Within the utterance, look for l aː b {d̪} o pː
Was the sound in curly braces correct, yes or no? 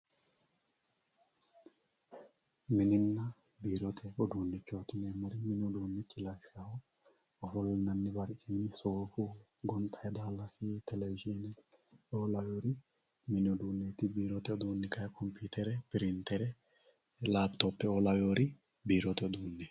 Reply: no